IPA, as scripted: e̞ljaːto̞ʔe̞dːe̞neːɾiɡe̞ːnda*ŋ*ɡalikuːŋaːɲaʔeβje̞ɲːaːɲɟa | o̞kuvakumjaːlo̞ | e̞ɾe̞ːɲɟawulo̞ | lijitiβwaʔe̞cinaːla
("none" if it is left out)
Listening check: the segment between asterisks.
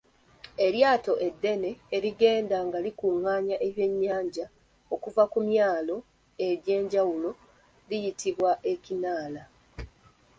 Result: ŋ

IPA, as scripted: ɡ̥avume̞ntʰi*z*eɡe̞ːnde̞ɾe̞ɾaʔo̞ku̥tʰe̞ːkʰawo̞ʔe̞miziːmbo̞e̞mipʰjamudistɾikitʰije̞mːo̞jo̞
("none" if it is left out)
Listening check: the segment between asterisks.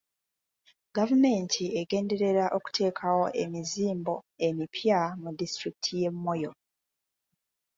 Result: none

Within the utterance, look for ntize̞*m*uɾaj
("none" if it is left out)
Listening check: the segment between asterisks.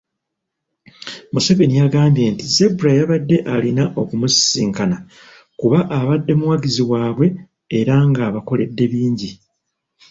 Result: b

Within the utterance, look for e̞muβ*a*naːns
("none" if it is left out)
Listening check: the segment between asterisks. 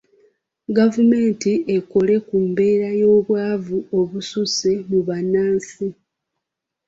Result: a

